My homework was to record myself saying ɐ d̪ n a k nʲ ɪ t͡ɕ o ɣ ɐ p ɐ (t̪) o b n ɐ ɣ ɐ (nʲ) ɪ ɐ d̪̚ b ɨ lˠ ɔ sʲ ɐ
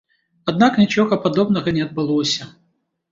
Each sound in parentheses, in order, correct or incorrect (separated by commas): incorrect, correct